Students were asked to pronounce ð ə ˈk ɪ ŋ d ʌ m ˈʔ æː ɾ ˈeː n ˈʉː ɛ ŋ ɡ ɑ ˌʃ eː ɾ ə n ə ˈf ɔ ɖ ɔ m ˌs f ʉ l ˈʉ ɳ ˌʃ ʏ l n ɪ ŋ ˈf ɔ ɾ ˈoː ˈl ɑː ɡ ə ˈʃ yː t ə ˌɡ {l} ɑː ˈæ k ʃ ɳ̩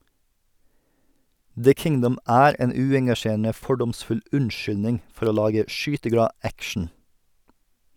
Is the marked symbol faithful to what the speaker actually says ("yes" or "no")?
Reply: no